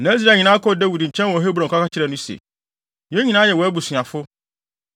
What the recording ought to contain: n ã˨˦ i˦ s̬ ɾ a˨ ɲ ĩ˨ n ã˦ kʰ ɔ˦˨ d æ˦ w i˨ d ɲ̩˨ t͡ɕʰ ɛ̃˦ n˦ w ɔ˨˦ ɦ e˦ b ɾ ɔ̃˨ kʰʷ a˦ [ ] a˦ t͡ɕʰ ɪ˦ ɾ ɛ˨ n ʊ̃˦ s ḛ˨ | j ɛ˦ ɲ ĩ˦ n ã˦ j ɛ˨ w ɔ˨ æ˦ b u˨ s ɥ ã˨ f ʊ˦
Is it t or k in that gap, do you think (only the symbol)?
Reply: k